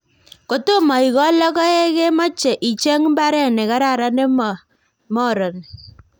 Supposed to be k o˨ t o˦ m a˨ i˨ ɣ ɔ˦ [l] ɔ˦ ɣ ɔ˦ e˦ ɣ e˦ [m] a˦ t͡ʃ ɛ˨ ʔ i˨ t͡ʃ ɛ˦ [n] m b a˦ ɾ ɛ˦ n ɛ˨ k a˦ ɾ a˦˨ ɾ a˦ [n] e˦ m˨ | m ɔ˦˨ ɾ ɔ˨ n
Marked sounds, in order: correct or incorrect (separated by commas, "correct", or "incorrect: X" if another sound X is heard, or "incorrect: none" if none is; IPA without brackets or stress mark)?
correct, correct, incorrect: ŋ, correct